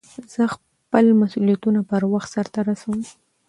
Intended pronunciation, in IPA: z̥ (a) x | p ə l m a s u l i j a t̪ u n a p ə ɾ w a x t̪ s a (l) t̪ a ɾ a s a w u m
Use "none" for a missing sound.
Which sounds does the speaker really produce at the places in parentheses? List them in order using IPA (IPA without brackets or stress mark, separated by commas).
ə, ɾ